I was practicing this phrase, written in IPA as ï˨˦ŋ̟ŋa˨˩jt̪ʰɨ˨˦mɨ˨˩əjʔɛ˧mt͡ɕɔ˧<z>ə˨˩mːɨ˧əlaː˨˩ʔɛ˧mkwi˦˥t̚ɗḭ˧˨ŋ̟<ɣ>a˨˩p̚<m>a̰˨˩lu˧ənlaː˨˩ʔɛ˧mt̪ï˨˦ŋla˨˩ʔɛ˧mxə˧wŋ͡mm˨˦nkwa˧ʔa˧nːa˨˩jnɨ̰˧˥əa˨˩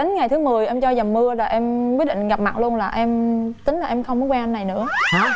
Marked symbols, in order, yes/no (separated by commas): yes, yes, yes